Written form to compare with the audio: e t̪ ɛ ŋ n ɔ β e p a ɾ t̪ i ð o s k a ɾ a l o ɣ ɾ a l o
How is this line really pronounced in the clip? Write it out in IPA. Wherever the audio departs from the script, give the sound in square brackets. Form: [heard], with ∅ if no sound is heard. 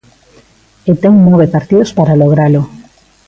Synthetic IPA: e t̪ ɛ ŋ n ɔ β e p a ɾ t̪ i ð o s [p] a ɾ a l o ɣ ɾ a l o